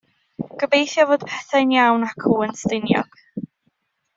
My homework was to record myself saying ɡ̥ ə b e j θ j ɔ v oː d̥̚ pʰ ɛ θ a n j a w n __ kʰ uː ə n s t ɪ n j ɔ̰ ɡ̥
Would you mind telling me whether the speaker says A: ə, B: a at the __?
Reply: B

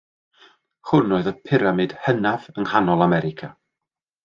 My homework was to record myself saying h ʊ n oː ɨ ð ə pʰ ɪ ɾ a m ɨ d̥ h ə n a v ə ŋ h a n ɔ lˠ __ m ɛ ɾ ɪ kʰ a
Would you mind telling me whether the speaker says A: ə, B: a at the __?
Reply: B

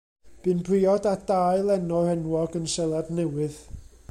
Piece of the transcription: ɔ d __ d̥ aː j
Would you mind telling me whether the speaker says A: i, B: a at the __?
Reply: B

